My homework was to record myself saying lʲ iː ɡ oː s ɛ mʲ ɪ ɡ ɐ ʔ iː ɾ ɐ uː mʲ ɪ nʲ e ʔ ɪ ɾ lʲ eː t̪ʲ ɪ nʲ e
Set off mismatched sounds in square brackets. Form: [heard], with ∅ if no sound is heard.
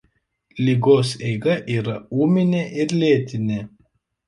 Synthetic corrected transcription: lʲ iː ɡ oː s ɛ [∅] ɪ ɡ ɐ ʔ iː ɾ ɐ uː mʲ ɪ nʲ e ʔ ɪ ɾ lʲ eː t̪ʲ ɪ nʲ e

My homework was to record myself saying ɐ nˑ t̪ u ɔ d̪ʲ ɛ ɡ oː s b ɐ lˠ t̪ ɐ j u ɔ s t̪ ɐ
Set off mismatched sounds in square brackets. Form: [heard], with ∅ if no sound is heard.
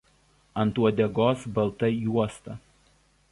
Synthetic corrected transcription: ɐ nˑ t̪ u ɔ d̪ʲ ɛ ɡ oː s b ɐ lˠ t̪ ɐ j u ɔ s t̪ ɐ

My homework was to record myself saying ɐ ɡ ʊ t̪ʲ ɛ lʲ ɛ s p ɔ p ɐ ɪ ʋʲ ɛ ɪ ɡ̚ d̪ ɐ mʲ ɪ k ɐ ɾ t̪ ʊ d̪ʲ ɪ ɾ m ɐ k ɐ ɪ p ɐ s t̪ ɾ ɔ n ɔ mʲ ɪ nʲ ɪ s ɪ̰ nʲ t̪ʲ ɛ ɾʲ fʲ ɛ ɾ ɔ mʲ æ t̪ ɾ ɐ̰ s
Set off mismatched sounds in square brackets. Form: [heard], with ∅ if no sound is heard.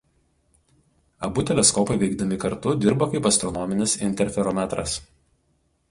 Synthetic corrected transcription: ɐ [b] ʊ t̪ʲ ɛ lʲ ɛ s [k] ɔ p ɐ ɪ ʋʲ ɛ ɪ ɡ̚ d̪ ɐ mʲ ɪ k ɐ ɾ t̪ ʊ d̪ʲ ɪ ɾ [b] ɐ k ɐ ɪ p ɐ s t̪ ɾ ɔ n ɔ mʲ ɪ nʲ ɪ s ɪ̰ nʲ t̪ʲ ɛ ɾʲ fʲ ɛ ɾ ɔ mʲ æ t̪ ɾ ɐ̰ s

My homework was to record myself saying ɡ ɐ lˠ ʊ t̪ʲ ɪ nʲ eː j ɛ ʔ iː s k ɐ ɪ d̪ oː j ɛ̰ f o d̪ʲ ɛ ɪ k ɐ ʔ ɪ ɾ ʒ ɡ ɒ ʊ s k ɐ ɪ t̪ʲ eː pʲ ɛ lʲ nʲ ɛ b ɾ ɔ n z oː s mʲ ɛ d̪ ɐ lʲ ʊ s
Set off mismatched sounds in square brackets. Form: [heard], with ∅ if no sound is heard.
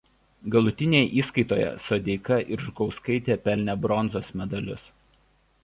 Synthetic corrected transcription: ɡ ɐ lˠ ʊ t̪ʲ ɪ nʲ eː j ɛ ʔ iː s k ɐ ɪ [t̪] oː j ɛ̰ [s] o d̪ʲ ɛ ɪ k ɐ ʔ ɪ ɾ ʒ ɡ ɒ ʊ s k ɐ ɪ t̪ʲ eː pʲ ɛ lʲ nʲ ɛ b ɾ ɔ n z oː s mʲ ɛ d̪ ɐ lʲ ʊ s

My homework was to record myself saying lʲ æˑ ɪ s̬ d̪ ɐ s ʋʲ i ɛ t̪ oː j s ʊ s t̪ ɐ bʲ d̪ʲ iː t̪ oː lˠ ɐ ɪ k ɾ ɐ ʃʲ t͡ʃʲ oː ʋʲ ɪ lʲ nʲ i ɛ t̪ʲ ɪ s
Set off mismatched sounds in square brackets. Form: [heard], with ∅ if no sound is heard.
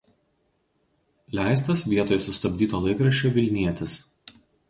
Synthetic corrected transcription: lʲ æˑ ɪ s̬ [t̪] ɐ s ʋʲ i ɛ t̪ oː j s ʊ s t̪ ɐ bʲ d̪ʲ iː t̪ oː lˠ ɐ ɪ k ɾ ɐ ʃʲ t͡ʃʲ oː ʋʲ ɪ lʲ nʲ i ɛ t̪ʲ ɪ s

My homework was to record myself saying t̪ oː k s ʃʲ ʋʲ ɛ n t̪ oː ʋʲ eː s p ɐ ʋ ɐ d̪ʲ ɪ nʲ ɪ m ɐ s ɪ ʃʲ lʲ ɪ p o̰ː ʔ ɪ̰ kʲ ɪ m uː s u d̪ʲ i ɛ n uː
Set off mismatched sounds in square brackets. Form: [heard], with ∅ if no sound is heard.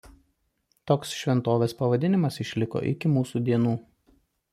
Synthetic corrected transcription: t̪ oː k s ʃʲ ʋʲ ɛ n t̪ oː ʋʲ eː s p ɐ ʋ ɐ d̪ʲ ɪ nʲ ɪ m ɐ s ɪ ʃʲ lʲ ɪ [k] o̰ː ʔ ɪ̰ kʲ ɪ m uː s u d̪ʲ i ɛ n uː

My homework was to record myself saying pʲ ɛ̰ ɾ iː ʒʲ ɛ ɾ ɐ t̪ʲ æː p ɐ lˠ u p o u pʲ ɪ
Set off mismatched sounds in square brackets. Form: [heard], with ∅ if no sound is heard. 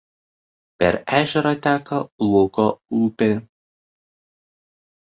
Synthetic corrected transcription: pʲ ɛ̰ ɾ [æː] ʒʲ ɛ ɾ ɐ t̪ʲ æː [k] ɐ lˠ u [k] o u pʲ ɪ

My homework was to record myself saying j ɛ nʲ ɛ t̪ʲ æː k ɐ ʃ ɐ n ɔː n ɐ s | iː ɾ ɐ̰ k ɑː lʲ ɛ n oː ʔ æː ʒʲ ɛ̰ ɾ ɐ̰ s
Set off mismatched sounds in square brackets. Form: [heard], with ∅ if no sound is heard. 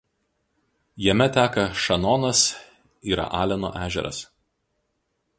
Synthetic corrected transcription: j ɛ [mʲ] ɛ t̪ʲ æː k ɐ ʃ ɐ n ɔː n ɐ s | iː ɾ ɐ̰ [ʔ] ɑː lʲ ɛ n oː ʔ æː ʒʲ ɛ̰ ɾ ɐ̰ s

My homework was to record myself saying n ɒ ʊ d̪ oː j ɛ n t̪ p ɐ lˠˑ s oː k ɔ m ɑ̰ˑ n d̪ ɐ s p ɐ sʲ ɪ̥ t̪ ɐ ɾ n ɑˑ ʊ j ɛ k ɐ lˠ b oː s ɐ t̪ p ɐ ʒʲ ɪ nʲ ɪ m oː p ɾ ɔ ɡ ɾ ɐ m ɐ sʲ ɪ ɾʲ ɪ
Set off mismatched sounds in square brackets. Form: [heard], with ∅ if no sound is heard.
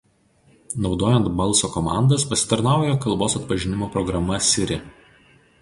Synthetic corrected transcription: n ɒ ʊ d̪ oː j ɛ n t̪ [b] ɐ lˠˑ s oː k ɔ m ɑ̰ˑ n d̪ ɐ s p ɐ sʲ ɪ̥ t̪ ɐ ɾ n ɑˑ ʊ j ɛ k ɐ lˠ b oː s ɐ t̪ p ɐ ʒʲ ɪ nʲ ɪ m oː p ɾ ɔ ɡ ɾ ɐ m ɐ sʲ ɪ ɾʲ ɪ

